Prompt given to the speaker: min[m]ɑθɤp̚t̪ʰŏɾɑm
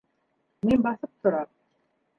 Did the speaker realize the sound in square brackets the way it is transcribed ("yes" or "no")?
no